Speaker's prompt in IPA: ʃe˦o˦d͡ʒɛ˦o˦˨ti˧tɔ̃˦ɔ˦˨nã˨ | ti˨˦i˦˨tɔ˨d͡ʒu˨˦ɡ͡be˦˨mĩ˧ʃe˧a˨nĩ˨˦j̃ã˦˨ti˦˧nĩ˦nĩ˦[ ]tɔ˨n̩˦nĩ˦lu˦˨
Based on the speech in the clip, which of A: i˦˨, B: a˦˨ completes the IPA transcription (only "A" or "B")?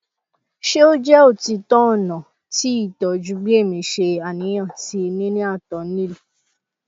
B